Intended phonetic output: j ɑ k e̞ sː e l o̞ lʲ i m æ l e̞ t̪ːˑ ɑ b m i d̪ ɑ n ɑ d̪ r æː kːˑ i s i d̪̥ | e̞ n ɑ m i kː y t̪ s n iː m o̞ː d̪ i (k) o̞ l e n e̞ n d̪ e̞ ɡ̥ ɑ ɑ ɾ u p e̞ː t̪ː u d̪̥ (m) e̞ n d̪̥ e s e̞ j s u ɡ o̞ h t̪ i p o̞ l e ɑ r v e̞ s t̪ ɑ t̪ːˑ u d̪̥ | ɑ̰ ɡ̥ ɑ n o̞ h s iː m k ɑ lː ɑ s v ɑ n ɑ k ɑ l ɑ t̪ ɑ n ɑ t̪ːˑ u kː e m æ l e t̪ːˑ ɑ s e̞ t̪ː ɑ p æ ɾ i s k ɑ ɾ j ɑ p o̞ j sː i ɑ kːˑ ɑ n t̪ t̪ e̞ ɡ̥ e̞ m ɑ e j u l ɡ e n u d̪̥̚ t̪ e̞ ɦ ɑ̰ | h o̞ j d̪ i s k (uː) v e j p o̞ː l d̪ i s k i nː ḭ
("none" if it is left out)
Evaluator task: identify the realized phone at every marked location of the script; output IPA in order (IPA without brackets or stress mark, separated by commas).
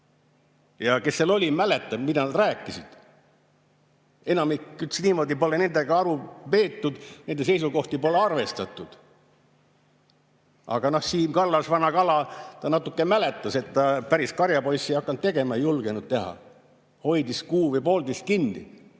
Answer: p, n, uː